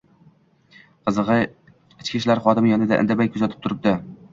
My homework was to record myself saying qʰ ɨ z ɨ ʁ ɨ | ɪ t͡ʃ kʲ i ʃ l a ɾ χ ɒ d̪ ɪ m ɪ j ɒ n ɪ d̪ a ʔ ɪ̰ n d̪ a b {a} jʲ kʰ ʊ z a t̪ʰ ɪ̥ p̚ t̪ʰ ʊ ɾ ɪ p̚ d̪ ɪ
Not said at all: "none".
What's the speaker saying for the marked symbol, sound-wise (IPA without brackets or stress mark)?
a